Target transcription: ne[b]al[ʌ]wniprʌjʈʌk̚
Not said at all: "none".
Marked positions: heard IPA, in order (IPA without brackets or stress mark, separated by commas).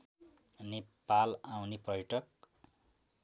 p, a